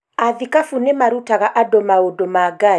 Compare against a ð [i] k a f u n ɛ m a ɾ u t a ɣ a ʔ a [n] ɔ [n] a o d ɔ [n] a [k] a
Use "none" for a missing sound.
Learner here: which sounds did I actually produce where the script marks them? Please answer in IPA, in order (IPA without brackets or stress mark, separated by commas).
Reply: i, d, m, m, ɡ